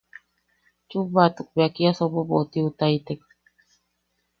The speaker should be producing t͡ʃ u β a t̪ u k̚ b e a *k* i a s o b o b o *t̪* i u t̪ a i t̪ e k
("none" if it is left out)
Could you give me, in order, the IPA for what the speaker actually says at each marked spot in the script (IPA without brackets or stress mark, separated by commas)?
k, t̪